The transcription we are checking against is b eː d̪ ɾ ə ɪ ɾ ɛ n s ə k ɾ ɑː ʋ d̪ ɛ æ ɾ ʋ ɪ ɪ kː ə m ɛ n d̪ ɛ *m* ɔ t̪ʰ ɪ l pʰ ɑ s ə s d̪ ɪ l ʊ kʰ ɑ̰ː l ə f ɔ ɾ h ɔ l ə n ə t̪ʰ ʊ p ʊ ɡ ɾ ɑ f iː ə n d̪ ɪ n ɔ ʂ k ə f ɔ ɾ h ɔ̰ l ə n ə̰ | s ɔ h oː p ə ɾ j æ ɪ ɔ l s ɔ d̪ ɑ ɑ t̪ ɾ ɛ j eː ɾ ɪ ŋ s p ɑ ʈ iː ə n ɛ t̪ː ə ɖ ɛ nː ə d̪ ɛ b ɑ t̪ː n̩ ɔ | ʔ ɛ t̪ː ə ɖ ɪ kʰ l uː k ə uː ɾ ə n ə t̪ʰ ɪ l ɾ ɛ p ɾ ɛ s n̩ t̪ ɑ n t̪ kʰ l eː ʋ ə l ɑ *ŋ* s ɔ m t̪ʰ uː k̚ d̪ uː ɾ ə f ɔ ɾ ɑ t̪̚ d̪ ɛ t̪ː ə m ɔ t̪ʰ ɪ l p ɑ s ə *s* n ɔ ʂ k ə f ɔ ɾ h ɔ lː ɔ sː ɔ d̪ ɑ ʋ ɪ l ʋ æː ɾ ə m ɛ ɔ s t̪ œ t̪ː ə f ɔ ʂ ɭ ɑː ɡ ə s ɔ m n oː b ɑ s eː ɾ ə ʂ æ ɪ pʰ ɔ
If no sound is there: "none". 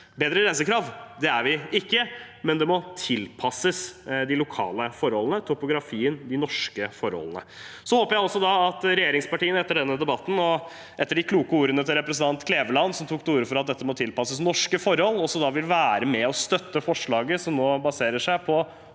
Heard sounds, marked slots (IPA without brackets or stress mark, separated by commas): m, n, s